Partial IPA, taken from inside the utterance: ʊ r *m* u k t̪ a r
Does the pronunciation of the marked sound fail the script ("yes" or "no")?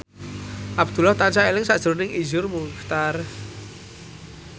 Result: no